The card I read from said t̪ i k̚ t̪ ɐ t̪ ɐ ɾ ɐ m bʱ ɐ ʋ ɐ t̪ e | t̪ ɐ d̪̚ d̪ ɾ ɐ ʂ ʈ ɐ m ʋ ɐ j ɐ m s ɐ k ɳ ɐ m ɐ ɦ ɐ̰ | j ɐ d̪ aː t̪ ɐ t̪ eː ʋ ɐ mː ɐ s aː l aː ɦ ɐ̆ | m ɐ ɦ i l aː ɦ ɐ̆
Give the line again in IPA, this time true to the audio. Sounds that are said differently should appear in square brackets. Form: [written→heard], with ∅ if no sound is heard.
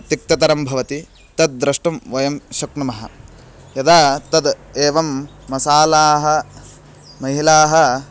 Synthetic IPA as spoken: t̪ i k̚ t̪ ɐ t̪ ɐ ɾ ɐ m bʱ ɐ ʋ ɐ t̪ [e→i] | t̪ ɐ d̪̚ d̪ ɾ ɐ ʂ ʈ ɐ m ʋ ɐ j ɐ m [s→ʃ] ɐ k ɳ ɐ m ɐ ɦ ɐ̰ | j ɐ d̪ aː t̪ ɐ [t̪→d̪] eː ʋ ɐ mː ɐ s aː l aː ɦ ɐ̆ | m ɐ ɦ i l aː ɦ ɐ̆